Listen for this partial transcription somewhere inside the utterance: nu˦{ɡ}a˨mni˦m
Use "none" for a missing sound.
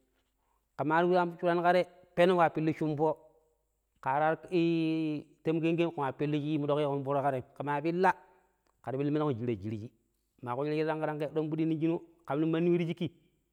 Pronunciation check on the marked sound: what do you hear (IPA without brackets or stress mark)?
k